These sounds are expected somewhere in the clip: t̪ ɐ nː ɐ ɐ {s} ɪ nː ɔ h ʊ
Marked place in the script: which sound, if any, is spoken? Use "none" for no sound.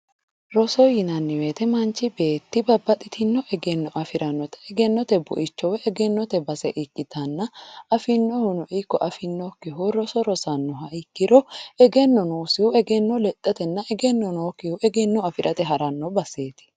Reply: f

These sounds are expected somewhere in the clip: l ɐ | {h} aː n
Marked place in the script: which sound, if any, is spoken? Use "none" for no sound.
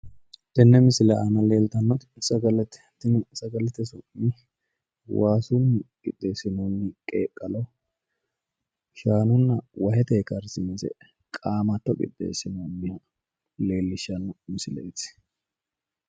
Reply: ʃ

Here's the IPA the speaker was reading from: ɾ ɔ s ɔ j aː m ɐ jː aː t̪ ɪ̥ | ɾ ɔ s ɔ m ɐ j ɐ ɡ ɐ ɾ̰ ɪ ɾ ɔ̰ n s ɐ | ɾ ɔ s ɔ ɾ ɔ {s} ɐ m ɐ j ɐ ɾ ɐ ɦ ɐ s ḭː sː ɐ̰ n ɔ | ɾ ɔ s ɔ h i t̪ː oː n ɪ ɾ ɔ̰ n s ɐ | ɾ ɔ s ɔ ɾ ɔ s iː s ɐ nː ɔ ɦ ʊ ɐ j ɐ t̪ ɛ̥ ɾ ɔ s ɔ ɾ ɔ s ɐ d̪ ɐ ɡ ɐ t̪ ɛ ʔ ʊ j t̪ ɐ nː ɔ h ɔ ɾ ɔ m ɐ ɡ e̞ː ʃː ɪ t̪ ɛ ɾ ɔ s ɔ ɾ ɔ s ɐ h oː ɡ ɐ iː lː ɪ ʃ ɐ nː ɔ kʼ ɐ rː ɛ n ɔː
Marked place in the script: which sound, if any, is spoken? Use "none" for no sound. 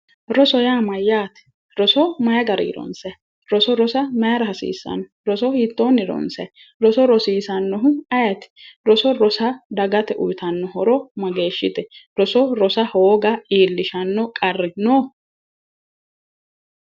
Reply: s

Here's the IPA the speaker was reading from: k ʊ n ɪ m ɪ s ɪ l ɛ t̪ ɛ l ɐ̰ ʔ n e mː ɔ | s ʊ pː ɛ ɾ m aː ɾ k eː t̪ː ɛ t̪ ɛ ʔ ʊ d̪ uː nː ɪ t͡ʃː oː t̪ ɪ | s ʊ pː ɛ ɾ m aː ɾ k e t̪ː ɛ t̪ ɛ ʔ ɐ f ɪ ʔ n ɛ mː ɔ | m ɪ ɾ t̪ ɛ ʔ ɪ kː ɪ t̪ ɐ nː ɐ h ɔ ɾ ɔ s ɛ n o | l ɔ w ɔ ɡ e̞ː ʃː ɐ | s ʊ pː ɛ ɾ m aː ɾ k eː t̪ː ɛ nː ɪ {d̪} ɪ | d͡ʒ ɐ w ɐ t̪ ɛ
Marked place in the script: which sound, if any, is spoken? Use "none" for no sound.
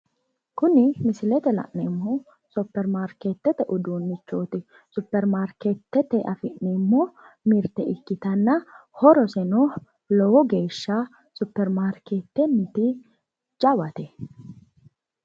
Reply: t̪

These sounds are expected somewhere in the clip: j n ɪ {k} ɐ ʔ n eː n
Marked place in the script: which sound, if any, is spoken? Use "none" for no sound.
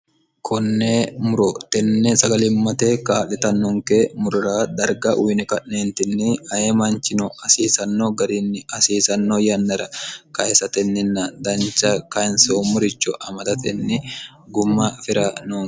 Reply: k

